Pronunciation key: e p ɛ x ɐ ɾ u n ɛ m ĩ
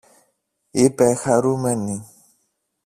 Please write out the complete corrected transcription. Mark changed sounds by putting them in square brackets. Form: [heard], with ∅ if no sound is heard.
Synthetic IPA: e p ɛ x [a] ɾ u [m] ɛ [n] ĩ